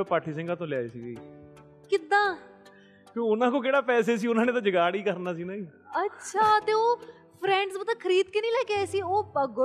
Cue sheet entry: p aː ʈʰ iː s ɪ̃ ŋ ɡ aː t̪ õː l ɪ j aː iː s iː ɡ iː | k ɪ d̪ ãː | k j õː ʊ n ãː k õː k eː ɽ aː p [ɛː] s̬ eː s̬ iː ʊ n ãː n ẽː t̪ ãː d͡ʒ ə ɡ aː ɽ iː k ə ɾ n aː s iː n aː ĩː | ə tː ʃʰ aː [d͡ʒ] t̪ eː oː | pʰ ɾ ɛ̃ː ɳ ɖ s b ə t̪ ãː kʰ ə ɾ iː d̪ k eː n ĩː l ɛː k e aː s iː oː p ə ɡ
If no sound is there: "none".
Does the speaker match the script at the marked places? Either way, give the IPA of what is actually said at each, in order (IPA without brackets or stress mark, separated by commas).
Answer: ɛː, none